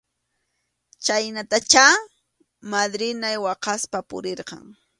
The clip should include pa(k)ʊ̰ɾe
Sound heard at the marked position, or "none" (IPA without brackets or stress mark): p